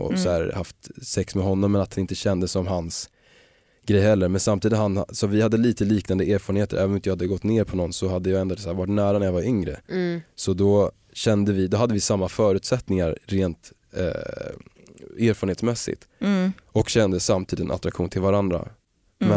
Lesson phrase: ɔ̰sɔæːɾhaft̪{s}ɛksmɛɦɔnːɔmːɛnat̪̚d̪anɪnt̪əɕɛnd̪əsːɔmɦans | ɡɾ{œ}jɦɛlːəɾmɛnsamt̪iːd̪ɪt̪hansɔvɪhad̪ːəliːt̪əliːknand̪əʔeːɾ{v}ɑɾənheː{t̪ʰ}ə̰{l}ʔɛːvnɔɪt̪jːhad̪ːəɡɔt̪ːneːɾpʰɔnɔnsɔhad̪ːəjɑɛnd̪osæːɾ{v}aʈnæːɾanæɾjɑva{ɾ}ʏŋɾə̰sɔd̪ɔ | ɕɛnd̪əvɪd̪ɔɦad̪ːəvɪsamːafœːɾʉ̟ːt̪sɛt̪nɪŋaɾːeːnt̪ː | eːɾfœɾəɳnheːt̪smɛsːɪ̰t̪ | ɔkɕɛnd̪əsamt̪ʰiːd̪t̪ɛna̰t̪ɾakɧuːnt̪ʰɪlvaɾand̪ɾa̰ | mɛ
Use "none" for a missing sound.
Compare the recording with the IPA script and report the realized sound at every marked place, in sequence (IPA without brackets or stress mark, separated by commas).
s, ɛ, f, t̪, ɾ, v, ɾ